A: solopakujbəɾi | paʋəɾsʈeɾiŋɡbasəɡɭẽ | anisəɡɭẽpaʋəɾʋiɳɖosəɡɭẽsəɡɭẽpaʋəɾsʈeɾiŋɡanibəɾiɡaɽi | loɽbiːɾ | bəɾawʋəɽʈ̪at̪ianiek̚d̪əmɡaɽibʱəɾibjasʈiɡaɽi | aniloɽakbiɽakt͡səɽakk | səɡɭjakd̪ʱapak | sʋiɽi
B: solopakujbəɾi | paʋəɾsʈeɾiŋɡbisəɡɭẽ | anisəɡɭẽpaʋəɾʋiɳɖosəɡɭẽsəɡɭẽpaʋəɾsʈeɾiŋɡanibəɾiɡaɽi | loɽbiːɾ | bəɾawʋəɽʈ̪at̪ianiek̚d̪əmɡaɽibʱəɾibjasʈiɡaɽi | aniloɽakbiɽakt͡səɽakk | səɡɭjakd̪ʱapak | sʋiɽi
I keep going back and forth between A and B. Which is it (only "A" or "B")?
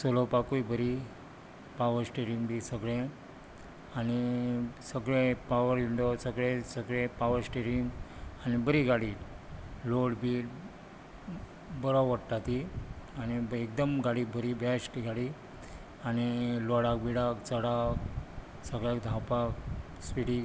B